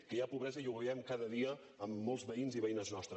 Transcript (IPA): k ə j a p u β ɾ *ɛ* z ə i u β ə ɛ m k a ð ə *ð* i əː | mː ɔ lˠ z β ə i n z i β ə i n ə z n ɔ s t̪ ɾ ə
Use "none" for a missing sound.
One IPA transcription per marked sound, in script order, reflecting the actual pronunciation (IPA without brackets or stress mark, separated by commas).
ɛ, ð